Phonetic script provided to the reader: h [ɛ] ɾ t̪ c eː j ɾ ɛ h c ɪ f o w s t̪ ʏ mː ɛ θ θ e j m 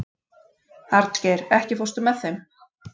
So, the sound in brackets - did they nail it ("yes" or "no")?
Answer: no